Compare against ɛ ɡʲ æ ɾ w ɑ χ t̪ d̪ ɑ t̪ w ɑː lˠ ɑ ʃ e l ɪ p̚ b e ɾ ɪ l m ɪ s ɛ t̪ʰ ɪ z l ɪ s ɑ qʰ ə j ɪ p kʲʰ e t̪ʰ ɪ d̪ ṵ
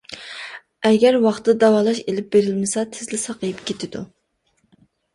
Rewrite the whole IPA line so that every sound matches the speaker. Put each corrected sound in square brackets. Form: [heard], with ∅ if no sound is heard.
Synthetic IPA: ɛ ɡʲ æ ɾ w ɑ χ t̪ d̪ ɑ [∅] w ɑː lˠ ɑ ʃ e l ɪ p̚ b e ɾ ɪ l m ɪ s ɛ t̪ʰ ɪ z l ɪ s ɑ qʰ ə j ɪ p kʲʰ e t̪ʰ ɪ d̪ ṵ